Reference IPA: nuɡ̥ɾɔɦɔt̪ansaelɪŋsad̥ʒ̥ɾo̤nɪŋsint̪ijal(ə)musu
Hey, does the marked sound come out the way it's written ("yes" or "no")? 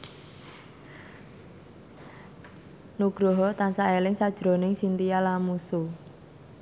no